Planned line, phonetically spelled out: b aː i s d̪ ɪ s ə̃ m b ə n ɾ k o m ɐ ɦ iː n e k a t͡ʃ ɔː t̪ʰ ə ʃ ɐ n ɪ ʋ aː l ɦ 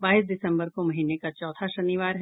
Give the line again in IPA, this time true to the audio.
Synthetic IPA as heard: b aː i s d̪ ɪ s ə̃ m b ə ɾ k o m ɐ ɦ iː n e k a t͡ʃ ɔː t̪ʰ a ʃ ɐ n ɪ ʋ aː ɾ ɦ